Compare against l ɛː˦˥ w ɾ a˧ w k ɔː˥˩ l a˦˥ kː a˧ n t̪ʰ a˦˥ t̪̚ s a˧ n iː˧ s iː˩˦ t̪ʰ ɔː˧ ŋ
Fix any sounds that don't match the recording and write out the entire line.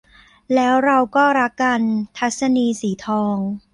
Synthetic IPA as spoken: l ɛː˦˥ w ɾ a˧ w k ɔː˥˩ ɾ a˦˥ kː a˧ n t̪ʰ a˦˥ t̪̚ s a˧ n iː˧ s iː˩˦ t̪ʰ ɔː˧ ŋ